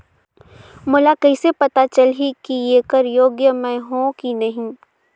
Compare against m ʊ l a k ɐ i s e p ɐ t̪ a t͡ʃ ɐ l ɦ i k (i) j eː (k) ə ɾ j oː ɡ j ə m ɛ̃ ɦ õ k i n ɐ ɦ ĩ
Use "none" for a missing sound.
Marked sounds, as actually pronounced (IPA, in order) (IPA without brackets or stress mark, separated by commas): i, k